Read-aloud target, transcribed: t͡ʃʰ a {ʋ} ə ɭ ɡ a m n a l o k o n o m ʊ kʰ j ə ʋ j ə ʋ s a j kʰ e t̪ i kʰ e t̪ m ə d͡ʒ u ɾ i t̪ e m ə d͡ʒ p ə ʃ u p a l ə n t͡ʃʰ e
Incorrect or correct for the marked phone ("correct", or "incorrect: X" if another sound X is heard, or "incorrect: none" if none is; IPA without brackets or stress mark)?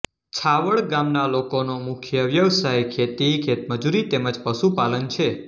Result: correct